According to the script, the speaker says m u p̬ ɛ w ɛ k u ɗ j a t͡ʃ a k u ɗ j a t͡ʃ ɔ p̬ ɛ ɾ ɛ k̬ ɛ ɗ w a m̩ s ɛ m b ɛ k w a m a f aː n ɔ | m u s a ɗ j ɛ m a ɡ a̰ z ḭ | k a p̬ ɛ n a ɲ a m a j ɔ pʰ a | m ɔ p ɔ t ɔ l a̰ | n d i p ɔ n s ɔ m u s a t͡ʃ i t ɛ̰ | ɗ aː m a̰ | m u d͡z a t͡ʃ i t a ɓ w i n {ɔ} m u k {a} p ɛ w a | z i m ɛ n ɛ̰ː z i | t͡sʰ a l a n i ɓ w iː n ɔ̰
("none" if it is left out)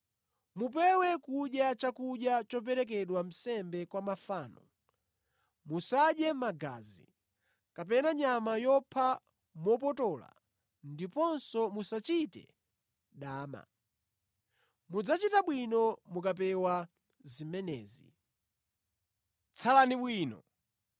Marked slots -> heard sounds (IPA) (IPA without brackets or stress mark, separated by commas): ɔ, a